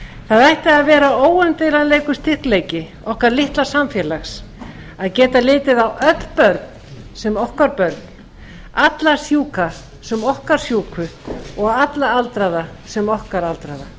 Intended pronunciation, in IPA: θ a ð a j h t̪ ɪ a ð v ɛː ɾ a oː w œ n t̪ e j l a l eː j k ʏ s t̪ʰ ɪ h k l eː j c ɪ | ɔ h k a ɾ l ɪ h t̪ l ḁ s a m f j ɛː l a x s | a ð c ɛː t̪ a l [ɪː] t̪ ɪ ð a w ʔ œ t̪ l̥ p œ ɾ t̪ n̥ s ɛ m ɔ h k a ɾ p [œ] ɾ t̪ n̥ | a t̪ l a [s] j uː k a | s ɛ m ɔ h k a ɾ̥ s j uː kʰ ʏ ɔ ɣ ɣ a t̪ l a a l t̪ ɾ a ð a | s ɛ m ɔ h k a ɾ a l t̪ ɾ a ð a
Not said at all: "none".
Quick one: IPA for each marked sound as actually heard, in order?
ɪː, œ, s

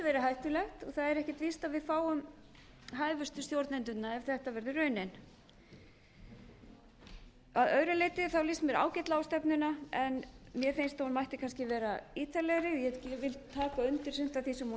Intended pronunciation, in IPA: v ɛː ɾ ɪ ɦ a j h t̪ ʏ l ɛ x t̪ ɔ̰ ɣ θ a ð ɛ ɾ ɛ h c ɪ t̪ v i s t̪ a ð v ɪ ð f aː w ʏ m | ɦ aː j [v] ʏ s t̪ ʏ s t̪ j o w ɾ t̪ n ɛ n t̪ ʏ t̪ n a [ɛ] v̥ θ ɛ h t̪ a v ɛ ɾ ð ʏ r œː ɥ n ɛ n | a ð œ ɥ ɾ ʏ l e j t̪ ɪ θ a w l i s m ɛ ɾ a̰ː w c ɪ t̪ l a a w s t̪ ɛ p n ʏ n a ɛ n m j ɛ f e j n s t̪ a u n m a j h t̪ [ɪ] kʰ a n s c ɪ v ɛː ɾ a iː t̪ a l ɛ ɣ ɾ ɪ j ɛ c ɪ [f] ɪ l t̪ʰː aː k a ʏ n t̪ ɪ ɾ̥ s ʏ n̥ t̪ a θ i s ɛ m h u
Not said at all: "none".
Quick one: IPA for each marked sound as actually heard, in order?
v, ɛ, ɪ, v

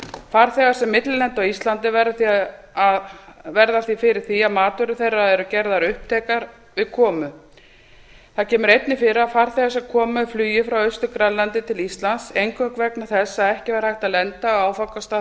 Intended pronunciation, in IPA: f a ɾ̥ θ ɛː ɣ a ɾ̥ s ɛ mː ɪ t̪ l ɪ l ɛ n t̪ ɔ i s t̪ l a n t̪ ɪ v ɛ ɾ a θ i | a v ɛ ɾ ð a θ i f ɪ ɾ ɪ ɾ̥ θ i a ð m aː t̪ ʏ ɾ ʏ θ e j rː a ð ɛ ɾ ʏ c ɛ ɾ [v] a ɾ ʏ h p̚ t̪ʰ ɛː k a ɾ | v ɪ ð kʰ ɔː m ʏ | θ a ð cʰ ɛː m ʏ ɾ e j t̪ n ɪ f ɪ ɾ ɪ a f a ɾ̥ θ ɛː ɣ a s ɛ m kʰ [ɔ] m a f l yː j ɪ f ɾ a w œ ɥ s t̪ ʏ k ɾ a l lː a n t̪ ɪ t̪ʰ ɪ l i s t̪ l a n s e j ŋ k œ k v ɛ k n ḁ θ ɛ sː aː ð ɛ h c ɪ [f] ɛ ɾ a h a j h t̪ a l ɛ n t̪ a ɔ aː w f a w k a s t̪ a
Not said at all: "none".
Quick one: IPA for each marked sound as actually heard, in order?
ð, ɔː, v

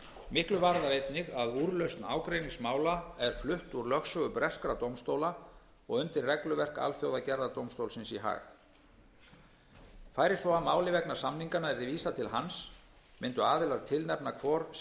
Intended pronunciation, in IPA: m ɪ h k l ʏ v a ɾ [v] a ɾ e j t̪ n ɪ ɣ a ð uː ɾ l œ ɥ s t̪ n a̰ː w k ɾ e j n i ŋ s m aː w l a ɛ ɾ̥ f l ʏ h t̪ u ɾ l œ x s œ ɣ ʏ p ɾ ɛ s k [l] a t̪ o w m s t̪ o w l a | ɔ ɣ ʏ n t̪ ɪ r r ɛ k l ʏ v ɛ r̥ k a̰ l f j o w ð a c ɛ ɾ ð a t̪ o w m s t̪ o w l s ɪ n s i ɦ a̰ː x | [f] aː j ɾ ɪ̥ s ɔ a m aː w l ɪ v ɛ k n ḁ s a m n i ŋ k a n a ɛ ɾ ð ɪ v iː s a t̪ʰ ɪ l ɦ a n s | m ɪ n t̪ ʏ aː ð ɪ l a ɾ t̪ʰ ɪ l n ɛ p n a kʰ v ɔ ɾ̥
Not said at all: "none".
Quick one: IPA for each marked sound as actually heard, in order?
ð, ɾ, f

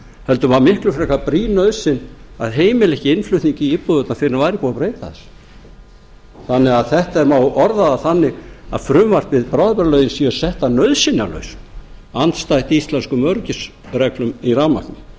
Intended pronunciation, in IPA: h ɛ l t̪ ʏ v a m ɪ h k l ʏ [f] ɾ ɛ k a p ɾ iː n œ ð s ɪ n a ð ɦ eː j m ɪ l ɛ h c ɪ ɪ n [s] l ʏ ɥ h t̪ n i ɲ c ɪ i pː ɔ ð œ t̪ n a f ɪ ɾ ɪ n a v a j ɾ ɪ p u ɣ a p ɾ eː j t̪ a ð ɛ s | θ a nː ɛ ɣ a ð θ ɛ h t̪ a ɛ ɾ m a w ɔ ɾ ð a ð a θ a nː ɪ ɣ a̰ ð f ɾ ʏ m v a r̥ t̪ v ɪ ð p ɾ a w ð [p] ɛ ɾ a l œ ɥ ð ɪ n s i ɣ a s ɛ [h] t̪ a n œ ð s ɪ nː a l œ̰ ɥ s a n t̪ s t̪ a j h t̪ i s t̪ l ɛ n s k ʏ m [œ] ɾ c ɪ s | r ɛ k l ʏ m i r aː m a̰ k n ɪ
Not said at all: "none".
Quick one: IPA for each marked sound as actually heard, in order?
f, f, p, h, œ

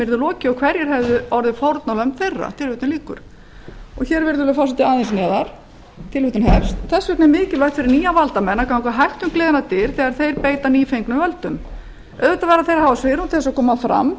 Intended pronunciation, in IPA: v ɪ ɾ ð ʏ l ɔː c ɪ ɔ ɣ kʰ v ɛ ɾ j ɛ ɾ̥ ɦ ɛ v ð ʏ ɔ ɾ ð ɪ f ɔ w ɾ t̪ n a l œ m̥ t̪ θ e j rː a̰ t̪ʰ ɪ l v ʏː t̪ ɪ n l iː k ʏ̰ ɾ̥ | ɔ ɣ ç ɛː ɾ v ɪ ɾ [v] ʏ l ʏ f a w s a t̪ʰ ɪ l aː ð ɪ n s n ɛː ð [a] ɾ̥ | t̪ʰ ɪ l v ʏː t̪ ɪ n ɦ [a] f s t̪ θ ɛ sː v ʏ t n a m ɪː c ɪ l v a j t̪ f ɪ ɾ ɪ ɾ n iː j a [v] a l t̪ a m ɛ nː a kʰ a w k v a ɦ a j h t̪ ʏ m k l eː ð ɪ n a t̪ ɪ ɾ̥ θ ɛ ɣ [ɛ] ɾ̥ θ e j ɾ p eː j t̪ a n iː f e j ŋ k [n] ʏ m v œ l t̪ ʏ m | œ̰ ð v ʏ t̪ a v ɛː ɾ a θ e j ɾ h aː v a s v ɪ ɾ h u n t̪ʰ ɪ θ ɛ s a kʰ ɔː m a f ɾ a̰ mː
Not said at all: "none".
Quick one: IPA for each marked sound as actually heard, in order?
ð, a, ɛ, v, a, n

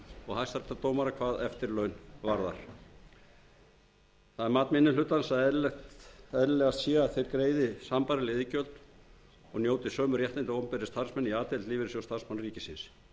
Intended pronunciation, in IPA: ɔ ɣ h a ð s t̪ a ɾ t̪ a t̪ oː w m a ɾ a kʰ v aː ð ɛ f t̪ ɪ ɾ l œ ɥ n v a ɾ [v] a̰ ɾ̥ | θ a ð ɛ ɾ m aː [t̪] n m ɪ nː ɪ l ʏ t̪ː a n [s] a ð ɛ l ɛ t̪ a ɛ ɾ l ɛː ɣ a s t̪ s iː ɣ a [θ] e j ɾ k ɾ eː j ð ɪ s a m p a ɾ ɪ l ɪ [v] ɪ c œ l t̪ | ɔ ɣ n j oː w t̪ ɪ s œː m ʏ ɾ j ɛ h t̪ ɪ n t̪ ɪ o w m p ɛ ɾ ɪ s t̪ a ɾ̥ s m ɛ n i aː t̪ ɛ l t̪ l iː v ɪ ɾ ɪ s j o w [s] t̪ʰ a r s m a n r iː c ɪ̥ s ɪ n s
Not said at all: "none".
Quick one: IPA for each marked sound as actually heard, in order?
ð, t̪, s, θ, ð, s

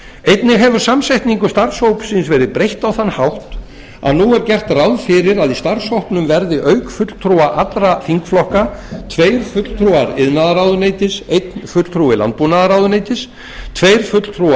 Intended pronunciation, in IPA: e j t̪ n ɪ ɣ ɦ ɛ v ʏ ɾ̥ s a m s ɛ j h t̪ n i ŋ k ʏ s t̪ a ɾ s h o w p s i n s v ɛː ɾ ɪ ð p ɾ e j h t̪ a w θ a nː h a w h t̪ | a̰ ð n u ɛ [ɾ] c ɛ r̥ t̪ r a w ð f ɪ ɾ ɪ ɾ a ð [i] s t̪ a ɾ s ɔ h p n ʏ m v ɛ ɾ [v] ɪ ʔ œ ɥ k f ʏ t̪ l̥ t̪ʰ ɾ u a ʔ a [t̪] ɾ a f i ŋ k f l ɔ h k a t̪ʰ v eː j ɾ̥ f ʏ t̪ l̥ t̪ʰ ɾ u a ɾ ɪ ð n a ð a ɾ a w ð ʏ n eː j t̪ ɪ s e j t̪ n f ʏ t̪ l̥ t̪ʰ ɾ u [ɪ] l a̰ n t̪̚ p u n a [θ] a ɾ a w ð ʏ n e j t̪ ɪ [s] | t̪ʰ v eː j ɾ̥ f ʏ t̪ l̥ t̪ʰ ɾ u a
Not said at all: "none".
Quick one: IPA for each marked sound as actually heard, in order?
ɾ, i, ð, t̪, ɪ, ð, s

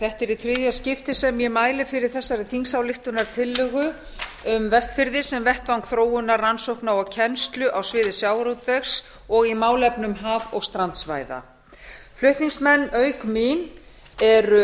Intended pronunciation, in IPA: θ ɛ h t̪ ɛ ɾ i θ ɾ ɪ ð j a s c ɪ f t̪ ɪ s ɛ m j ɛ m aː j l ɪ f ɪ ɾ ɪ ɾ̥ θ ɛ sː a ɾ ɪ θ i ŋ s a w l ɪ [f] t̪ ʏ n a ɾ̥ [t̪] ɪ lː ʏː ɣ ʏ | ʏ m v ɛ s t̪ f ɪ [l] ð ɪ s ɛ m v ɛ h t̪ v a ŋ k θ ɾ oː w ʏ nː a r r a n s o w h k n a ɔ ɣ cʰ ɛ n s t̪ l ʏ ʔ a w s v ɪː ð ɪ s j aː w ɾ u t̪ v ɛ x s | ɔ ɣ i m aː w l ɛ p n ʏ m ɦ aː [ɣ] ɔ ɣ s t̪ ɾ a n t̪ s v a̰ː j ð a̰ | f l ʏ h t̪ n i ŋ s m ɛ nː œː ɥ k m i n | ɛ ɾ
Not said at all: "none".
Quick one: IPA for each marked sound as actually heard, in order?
h, t̪ʰ, ɾ, v

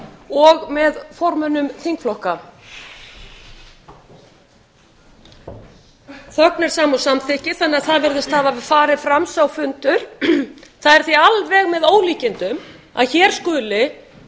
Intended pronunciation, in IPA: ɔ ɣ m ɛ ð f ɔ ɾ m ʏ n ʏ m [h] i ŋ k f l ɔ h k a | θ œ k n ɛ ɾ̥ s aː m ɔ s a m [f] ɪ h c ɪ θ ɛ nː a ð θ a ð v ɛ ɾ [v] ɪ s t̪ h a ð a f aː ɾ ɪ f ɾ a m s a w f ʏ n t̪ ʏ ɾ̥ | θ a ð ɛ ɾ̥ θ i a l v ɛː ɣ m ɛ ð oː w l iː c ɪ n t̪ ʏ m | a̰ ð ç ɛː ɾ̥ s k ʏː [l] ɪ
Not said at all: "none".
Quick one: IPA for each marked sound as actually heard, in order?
θ, θ, ð, l

